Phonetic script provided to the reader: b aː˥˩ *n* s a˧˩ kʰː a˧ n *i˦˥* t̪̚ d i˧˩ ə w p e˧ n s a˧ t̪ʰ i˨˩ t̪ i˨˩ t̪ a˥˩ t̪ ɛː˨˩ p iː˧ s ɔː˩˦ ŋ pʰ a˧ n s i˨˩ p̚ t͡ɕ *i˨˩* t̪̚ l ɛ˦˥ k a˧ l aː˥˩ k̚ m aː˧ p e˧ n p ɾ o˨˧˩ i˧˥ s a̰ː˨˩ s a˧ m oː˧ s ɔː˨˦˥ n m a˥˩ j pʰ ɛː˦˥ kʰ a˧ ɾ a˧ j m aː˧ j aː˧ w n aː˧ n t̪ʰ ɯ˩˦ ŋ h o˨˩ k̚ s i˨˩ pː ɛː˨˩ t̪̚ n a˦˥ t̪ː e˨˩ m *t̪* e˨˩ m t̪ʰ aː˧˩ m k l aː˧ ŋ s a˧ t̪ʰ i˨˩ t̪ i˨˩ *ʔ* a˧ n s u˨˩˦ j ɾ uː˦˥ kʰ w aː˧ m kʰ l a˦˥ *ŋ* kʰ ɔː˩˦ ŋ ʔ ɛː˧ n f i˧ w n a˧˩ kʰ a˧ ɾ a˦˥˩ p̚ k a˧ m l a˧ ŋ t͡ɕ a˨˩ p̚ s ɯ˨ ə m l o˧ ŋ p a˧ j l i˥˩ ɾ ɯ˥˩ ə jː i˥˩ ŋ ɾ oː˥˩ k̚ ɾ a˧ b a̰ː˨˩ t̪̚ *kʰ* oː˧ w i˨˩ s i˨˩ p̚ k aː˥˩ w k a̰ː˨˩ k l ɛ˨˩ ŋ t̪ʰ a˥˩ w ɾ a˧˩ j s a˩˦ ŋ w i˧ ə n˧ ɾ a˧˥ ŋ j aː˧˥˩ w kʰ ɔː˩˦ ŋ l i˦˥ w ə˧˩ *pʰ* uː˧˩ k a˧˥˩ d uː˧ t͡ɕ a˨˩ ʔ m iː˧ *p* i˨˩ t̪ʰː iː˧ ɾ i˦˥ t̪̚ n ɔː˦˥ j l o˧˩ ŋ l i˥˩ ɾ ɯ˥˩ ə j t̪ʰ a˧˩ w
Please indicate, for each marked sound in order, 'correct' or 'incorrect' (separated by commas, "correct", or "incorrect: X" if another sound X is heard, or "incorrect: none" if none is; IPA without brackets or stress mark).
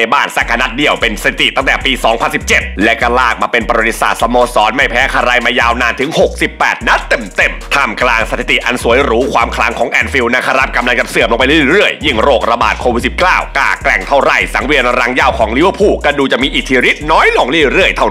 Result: correct, incorrect: a˦˥, incorrect: e˨˩, correct, correct, correct, correct, correct, incorrect: ʔ